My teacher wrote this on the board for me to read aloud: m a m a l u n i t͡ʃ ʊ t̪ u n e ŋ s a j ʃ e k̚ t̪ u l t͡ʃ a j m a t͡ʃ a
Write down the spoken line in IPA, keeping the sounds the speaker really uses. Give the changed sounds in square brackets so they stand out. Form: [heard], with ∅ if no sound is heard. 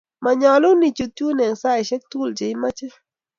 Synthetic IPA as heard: m a [ɲ] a l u n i t͡ʃ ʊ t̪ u n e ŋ s a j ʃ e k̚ t̪ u l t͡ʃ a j m a t͡ʃ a